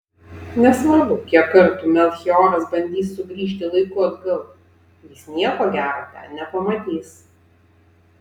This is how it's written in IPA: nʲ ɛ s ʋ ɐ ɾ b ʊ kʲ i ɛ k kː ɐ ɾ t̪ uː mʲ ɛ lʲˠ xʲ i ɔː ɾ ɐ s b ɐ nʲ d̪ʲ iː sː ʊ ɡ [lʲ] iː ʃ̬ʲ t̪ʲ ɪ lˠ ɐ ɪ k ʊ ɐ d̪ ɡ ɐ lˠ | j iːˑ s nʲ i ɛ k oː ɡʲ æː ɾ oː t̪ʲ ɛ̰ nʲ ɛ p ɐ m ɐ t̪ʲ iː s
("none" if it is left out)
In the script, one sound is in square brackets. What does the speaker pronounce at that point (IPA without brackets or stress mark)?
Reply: ɾʲ